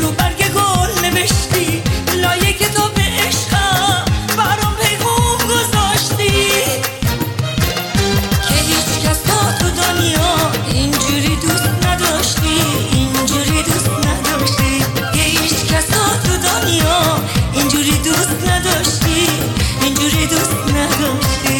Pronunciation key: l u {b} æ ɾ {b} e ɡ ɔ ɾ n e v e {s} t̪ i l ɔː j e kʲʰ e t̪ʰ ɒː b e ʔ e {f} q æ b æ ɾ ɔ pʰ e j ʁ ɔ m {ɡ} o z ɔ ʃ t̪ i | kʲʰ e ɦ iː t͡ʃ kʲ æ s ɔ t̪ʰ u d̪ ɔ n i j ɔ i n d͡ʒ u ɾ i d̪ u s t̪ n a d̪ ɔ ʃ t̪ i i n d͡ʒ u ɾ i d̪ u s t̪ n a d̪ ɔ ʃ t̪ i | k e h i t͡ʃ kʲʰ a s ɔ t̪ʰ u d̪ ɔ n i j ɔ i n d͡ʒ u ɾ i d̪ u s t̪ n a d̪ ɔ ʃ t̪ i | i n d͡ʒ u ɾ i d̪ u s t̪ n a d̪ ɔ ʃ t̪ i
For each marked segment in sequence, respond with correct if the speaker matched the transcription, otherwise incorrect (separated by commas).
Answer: correct, incorrect, incorrect, incorrect, correct